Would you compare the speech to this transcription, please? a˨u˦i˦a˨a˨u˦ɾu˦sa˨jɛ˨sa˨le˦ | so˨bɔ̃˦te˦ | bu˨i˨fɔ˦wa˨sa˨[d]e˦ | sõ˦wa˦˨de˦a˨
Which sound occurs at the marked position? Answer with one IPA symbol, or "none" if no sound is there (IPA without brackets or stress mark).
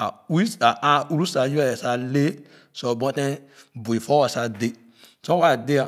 d